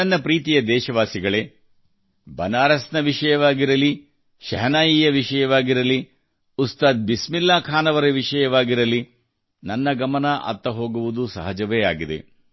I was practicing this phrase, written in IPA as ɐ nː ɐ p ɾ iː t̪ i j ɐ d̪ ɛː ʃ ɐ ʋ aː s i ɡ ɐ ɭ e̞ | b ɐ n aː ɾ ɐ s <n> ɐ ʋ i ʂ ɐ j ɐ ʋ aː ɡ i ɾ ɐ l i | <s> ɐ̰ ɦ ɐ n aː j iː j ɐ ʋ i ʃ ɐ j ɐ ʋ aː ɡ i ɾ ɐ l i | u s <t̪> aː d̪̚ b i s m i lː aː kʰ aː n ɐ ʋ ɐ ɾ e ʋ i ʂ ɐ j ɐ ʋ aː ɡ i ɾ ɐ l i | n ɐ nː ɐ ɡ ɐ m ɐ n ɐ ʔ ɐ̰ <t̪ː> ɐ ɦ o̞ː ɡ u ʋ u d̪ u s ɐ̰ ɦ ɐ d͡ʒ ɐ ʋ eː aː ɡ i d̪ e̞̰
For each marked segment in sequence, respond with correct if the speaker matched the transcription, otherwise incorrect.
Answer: correct, incorrect: ʃ, correct, correct

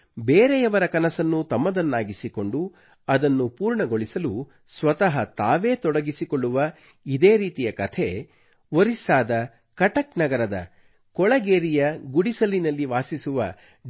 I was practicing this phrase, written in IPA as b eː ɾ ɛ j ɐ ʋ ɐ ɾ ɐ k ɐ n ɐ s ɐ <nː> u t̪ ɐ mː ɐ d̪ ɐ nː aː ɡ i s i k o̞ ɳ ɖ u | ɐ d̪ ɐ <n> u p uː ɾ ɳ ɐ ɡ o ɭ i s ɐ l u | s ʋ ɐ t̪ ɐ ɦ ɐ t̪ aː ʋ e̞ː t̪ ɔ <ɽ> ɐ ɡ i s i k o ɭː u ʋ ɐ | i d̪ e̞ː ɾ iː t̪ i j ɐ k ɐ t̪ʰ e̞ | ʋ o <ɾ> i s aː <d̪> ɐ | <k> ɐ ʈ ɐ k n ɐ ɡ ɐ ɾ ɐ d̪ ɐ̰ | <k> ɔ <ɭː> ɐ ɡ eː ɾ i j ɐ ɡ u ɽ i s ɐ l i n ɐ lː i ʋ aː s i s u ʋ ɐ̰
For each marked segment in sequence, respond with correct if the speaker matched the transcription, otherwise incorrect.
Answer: correct, incorrect: nː, correct, correct, correct, correct, correct, incorrect: ɭ

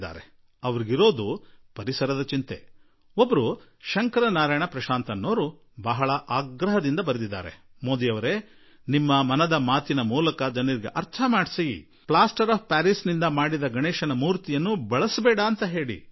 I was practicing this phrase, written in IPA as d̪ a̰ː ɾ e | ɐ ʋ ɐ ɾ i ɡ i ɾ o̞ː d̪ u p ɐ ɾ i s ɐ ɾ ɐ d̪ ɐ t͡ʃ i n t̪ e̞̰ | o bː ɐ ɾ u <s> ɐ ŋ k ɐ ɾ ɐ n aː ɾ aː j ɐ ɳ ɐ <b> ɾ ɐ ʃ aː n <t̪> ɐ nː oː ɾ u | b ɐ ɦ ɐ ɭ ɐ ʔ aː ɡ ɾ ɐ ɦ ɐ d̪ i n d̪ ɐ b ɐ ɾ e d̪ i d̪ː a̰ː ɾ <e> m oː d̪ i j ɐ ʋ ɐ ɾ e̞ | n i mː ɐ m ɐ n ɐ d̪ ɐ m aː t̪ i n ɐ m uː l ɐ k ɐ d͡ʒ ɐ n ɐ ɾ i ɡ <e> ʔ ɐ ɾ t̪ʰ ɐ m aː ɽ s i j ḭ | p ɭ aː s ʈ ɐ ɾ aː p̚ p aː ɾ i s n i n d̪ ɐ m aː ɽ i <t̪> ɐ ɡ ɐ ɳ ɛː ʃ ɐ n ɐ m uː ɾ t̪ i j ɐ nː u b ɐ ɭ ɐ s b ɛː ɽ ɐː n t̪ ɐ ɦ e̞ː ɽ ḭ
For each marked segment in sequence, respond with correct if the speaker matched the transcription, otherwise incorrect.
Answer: incorrect: ʃ, incorrect: p, correct, correct, correct, incorrect: d̪

